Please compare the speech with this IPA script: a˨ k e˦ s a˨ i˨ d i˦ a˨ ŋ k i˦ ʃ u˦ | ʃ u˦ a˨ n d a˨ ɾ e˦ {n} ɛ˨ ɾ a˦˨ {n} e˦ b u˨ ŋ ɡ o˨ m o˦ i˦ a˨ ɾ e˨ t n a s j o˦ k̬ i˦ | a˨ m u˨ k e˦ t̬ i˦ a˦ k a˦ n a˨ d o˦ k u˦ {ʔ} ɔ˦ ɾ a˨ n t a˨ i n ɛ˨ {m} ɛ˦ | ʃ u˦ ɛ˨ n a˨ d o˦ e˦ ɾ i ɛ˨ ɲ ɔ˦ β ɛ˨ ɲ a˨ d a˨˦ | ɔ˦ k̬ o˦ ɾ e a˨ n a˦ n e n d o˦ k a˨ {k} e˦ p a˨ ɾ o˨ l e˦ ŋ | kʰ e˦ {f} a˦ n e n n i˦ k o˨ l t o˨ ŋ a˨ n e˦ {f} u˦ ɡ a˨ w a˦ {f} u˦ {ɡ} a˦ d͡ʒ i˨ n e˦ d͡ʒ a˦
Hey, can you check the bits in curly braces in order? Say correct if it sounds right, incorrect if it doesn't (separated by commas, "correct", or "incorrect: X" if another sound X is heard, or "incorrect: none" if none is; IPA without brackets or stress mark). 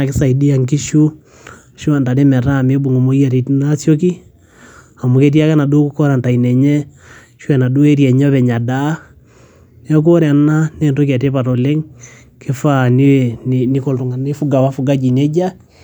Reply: incorrect: m, incorrect: m, incorrect: k, incorrect: ɲ, incorrect: t, correct, correct, correct, correct